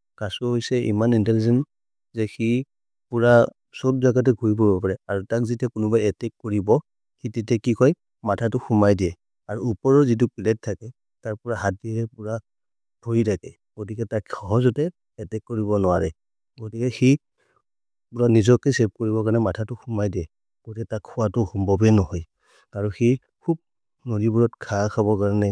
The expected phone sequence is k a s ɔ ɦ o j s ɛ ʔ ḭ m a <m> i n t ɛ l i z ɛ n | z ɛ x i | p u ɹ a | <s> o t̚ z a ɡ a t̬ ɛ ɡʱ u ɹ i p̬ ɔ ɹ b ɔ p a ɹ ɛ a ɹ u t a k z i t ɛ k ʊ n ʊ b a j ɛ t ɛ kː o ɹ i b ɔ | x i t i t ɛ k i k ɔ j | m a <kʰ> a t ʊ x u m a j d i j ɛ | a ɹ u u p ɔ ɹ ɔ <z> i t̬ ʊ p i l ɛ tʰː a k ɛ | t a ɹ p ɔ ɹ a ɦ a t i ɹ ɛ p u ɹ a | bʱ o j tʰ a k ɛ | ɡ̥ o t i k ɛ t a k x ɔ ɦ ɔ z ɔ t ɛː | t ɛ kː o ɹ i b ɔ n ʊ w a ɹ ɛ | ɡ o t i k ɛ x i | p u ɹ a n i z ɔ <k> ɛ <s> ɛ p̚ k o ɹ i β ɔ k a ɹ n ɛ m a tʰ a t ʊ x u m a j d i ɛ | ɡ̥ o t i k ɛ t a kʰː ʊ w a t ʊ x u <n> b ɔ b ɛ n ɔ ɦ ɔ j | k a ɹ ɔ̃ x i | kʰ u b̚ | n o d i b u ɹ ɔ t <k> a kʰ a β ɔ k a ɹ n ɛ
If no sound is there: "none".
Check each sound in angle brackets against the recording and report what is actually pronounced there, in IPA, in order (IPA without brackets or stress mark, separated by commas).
n, s, tʰ, z, k, s, m, kʰ